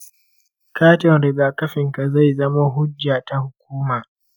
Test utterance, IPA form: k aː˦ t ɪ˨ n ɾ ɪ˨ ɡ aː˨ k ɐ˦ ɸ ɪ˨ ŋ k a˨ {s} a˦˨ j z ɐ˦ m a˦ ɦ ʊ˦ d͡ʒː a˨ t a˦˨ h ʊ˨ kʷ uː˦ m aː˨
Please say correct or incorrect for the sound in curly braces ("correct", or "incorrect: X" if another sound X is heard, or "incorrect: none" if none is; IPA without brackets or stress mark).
incorrect: z